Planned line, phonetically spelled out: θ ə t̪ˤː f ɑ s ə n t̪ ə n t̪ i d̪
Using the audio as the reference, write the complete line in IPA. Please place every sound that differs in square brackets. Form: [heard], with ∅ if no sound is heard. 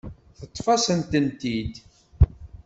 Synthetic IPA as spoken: θ ə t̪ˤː f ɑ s ə n t̪ ə n t̪ i d̪